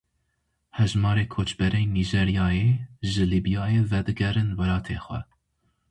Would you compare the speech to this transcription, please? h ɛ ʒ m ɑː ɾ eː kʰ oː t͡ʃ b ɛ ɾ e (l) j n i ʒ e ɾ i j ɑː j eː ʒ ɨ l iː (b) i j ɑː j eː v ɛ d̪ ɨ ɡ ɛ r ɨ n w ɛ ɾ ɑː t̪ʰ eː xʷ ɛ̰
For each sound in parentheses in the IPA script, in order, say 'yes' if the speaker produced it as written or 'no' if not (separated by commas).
no, yes